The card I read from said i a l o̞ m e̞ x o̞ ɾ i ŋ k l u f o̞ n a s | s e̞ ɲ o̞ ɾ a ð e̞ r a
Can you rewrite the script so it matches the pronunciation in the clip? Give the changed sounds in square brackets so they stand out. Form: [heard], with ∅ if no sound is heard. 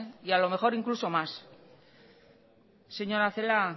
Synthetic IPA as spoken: i a l o̞ m e̞ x o̞ ɾ i ŋ k l u [s] o̞ [m] a s | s e̞ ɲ o̞ ɾ a [θ] e̞ [l] a